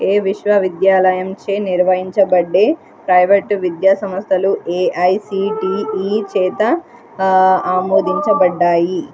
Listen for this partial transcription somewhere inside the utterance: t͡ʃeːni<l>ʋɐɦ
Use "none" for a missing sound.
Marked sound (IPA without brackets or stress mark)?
ɾ